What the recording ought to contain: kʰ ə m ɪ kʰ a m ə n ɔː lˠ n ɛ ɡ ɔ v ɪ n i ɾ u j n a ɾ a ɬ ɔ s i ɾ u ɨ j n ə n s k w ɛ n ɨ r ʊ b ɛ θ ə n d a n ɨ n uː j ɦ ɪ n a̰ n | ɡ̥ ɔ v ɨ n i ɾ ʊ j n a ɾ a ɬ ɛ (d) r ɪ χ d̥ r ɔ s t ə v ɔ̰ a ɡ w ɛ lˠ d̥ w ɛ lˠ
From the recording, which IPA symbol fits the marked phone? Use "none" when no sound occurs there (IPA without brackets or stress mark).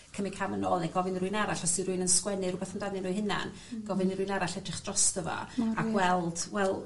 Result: d